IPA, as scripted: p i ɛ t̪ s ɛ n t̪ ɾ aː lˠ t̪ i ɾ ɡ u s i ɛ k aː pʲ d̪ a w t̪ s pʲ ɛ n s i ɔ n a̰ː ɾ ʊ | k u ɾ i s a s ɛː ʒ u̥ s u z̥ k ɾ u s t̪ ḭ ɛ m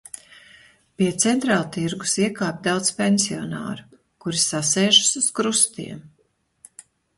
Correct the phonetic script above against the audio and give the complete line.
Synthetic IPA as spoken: p i ɛ t̪ s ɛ n t̪ ɾ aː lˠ t̪ i ɾ ɡ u s i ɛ k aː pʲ d̪ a w t̪ s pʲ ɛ n s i ɔ n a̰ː ɾ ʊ | k u ɾ i s a s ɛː ʒ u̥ s u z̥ k ɾ u s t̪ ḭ ɛ m